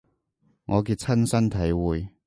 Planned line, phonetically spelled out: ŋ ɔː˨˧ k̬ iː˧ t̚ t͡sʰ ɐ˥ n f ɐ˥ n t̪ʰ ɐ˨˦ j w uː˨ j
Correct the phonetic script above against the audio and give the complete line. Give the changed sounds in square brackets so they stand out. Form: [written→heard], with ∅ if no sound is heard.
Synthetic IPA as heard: ŋ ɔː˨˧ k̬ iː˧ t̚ t͡sʰ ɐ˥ n [f→s] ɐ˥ n t̪ʰ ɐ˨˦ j w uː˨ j